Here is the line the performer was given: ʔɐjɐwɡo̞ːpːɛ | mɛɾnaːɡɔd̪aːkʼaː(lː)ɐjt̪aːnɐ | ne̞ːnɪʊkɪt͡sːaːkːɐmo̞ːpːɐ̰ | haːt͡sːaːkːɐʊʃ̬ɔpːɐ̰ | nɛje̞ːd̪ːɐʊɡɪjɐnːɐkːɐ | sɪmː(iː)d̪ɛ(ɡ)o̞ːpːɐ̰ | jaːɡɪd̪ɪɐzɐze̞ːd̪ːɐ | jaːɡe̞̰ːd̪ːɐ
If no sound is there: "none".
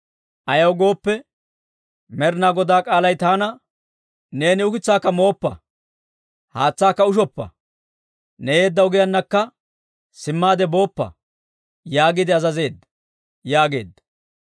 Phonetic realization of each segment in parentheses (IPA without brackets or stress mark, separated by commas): l, aː, b